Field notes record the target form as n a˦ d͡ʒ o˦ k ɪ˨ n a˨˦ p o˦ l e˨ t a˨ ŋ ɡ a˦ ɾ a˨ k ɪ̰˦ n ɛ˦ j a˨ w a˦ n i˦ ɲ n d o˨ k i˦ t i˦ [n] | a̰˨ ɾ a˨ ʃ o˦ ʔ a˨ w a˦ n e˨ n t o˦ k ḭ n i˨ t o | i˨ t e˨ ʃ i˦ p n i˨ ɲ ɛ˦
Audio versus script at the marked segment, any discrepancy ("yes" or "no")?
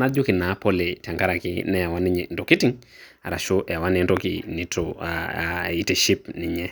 yes